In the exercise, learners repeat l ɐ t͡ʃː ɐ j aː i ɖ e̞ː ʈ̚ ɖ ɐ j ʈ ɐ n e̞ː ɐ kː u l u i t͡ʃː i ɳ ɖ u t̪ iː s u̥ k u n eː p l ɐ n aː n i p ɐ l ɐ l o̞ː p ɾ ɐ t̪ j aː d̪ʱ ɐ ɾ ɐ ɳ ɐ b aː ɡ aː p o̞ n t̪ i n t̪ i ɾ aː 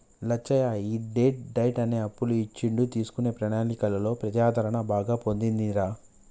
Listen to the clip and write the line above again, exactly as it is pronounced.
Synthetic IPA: l ɐ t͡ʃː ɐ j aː i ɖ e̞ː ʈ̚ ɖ ɐ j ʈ ɐ n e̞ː ɐ pː u l u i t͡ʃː i ɳ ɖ u t̪ iː s u̥ k u n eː p ɾ ɐ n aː n i k ɐ l ɐ l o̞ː p ɾ ɐ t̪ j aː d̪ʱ ɐ ɾ ɐ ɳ ɐ b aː ɡ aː p o̞ n d̪ i n d̪ i ɾ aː